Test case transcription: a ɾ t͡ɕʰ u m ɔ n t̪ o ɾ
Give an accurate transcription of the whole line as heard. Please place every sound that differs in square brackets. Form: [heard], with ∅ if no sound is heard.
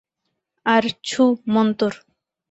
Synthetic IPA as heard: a ɾ t͡ɕʰ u m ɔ n t̪ o ɾ